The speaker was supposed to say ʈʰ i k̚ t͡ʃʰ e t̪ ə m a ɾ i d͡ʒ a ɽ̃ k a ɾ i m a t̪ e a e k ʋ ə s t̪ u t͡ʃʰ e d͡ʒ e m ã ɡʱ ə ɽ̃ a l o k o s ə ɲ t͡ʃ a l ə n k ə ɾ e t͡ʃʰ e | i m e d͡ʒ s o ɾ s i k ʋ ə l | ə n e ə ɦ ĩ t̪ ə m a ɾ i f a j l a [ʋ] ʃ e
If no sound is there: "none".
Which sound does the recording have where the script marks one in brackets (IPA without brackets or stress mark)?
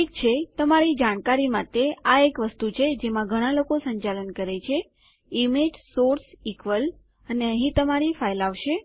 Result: ʋ